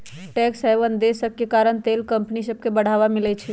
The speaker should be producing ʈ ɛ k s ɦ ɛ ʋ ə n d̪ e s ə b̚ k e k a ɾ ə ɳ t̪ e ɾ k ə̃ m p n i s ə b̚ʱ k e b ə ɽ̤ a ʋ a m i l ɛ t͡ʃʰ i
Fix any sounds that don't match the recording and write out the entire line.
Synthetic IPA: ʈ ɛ k s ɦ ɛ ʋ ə n d̪ e s ə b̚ k e k a ɾ ə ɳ t̪ e l k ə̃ m p n i s ə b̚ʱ k e b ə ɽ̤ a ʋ a m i l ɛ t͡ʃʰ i

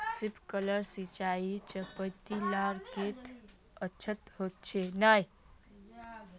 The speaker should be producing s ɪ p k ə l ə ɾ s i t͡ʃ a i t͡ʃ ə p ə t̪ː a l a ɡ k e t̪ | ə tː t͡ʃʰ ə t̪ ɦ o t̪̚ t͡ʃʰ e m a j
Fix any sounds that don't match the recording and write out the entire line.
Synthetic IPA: s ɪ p k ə l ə ɾ s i t͡ʃ a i t͡ʃ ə p ə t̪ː i l a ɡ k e t̪ | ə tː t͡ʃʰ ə t̪ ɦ o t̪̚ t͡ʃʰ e n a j

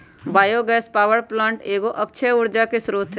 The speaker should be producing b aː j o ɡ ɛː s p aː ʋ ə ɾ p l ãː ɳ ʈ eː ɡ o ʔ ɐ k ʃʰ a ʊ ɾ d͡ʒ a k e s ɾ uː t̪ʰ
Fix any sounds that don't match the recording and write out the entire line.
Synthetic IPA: b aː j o ɡ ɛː s p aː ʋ ə ɾ p l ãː ɳ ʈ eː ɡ o ʔ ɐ k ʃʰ e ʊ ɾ d͡ʒ a k e s ɾ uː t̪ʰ

